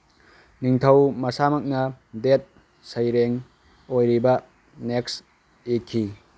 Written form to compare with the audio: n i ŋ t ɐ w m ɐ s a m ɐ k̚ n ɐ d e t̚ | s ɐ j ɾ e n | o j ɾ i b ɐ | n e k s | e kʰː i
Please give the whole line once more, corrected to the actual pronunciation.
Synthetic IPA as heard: n i ŋ tʰ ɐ w m ɐ s a m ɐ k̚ n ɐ d e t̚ | s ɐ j ɾ e ŋ | o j ɾ i b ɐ | n e k s | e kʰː i